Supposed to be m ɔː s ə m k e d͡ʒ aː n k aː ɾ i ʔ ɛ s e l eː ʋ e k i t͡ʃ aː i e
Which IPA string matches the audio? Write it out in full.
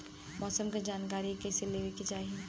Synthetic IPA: m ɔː s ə m k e d͡ʒ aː n k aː ɾ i k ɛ s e l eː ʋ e k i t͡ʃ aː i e